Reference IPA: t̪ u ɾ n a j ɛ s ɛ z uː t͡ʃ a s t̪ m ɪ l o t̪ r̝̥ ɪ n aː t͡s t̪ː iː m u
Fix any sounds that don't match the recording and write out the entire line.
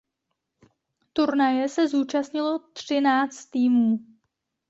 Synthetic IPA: t̪ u ɾ n a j ɛ s ɛ z uː t͡ʃ a s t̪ ɲ ɪ l o t̪ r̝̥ ɪ n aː t͡s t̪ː iː m uː